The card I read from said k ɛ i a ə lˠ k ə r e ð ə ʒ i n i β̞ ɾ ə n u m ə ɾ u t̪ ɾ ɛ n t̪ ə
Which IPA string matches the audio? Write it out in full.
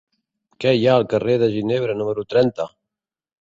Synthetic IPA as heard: k ɛ j a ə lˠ k ə r e ð ə ʒ i n e β̞ ɾ ə n u m ə ɾ u t̪ ɾ ɛ n t̪ ə